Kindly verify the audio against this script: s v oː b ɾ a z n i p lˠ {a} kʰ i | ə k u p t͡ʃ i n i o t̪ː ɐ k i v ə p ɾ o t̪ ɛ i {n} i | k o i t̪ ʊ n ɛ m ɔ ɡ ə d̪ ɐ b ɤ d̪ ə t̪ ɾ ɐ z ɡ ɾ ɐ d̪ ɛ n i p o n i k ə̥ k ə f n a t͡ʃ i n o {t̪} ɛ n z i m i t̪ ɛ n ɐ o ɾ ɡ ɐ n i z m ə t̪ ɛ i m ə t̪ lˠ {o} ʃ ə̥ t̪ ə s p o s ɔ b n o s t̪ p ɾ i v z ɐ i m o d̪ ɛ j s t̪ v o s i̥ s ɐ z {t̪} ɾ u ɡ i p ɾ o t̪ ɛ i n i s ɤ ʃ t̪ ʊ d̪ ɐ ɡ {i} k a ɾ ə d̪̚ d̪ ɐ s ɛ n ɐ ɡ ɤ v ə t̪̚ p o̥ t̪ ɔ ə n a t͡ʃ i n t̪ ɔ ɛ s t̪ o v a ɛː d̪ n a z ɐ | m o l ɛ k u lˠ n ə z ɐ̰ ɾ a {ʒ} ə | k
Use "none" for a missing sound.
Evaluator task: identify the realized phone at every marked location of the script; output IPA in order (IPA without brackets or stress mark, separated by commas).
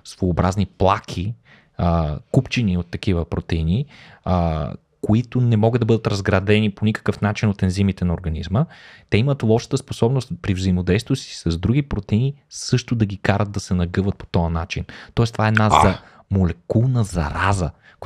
a, n, t̪, ɔ, d̪, i, z